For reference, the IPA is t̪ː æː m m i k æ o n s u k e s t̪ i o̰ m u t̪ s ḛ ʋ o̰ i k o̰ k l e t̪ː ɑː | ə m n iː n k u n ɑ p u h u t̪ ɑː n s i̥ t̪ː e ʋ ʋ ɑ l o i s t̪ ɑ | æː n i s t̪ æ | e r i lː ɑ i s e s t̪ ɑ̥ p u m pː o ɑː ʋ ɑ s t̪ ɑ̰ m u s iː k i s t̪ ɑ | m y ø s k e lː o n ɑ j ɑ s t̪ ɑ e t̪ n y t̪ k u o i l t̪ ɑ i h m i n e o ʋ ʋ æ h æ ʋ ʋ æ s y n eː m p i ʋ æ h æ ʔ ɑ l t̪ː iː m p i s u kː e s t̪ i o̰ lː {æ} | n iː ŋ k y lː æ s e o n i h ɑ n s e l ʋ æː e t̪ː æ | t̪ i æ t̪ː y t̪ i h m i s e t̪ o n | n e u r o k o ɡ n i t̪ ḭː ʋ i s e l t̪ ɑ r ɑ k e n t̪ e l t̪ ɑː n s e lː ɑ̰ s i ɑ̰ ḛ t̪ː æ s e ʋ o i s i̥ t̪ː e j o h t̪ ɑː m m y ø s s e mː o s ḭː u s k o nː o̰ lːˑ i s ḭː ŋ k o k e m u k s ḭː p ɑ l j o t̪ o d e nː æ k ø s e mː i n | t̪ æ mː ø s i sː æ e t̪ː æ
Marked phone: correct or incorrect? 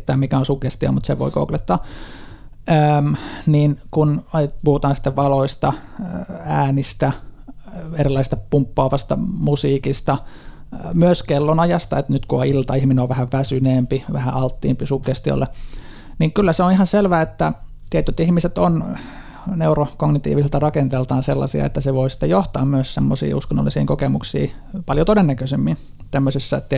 incorrect